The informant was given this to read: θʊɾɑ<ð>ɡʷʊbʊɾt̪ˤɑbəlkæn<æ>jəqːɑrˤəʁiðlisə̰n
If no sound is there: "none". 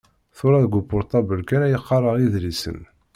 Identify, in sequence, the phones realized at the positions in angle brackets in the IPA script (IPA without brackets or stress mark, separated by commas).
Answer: ð, æ